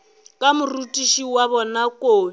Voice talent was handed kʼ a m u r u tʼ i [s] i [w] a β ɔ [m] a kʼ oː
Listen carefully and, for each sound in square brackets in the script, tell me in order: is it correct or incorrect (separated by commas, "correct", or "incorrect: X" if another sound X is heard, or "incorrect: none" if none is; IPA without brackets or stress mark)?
incorrect: ʃ, correct, incorrect: n